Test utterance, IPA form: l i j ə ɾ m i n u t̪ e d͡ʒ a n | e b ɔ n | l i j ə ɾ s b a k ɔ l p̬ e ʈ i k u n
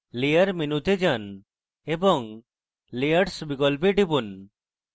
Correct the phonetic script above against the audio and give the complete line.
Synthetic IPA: l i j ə ɾ m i n u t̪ e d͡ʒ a n | e b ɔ ŋ | l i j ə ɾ s b i k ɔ l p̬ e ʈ i p u n